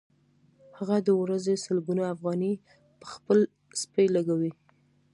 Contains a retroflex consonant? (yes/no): no